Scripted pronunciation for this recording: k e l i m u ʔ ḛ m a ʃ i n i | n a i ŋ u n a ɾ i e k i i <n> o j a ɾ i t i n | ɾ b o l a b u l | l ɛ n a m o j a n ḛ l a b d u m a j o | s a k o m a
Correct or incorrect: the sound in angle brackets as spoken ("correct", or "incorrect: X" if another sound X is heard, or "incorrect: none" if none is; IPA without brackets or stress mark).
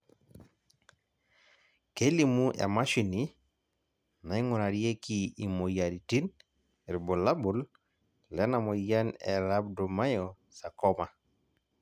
incorrect: m